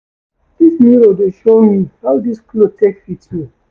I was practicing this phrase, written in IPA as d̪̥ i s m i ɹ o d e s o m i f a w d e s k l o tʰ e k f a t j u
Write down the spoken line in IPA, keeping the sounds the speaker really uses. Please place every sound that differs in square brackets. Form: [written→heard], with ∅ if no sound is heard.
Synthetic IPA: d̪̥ i s m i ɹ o d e [s→ʃ] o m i [f→h] a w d [e→i] s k l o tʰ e k f [a→i] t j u